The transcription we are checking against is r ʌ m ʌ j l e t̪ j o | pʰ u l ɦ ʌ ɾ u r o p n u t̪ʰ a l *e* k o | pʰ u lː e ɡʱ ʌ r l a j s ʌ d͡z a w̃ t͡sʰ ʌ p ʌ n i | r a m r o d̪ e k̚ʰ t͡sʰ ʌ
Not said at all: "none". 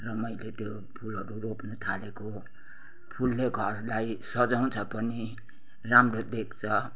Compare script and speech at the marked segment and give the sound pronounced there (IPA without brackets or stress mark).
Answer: e